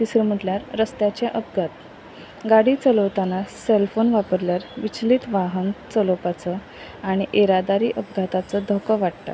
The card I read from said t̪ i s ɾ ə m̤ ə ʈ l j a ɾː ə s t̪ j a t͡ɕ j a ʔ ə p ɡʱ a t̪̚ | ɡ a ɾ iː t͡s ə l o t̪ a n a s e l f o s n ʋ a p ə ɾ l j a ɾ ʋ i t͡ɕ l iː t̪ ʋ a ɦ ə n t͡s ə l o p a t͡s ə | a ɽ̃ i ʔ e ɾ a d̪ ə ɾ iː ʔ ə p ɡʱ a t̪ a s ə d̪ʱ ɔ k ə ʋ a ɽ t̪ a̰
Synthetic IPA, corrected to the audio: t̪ i s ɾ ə m̤ ə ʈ l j a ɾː ə s t̪ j a t͡ɕ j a ʔ ə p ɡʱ a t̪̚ | ɡ a ɽ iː t͡s ə l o t̪ a n a s e l f o n ʋ a p ə ɾ l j a ɾ ʋ i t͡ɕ l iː t̪ ʋ a ɦ ə n t͡s ə l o p a t͡s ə | a ɽ̃ i ʔ e ɾ a d̪ a ɾ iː ʔ ə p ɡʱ a t̪ a t͡s ə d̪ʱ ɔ k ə ʋ a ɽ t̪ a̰